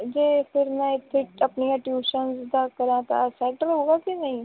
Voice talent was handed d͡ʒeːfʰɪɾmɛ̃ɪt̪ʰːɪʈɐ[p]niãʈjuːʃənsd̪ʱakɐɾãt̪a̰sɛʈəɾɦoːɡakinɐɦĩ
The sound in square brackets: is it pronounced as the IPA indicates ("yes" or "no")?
yes